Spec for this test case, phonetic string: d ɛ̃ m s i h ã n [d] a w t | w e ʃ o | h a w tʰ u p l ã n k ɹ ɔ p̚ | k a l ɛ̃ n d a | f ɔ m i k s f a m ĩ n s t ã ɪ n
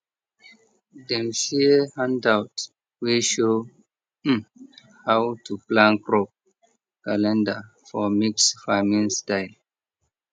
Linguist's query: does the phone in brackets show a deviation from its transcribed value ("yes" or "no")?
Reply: no